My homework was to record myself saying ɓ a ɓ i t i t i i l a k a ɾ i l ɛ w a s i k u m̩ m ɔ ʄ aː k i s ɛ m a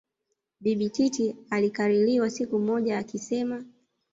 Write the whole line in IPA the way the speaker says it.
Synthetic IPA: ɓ i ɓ i t i t i a l i k a ɾ i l i w a s i k u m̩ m ɔ ʄ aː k i s ɛ m a